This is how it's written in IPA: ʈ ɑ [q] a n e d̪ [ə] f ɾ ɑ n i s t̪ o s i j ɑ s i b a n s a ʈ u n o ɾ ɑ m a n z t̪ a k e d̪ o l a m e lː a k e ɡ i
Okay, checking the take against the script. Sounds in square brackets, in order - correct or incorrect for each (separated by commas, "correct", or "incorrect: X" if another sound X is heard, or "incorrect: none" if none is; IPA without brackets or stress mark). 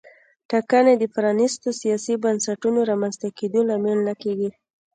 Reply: incorrect: k, correct